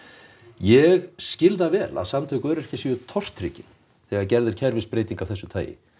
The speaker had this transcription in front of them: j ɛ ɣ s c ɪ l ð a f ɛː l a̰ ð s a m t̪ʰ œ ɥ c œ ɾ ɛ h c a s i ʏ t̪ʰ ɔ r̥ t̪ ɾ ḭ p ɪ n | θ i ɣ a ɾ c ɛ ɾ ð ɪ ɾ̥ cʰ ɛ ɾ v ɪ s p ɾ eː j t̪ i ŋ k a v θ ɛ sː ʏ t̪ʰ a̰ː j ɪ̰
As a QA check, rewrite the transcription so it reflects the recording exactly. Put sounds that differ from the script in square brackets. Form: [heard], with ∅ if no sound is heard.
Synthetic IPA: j ɛ ɣ s c ɪ l ð a [v] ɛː l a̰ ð s a m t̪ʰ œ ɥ [k] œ ɾ ɛ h c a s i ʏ t̪ʰ ɔ r̥ t̪ ɾ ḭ [c] ɪ n | θ [ɛ] ɣ a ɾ c ɛ ɾ ð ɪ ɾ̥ cʰ ɛ ɾ v ɪ s p ɾ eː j t̪ i ŋ k a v θ ɛ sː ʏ t̪ʰ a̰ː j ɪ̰